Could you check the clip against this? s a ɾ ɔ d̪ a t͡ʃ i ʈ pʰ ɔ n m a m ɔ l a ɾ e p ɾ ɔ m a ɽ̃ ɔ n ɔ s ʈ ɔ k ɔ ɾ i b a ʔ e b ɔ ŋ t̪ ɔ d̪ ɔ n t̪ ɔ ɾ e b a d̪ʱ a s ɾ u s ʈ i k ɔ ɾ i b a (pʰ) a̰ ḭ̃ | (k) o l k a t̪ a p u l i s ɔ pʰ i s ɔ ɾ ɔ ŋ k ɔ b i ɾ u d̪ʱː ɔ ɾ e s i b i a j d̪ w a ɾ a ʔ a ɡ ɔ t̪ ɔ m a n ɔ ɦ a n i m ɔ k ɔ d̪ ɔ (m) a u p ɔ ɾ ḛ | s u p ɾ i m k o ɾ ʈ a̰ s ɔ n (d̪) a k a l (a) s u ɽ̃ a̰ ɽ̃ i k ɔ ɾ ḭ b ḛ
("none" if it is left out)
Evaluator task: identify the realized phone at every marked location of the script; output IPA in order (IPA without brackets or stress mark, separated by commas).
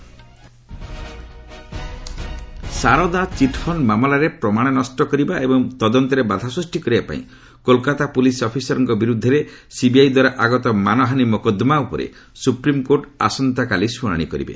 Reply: p, k, m, t̪, i